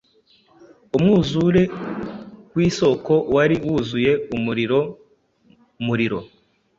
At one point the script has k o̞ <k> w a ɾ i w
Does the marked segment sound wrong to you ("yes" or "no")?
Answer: yes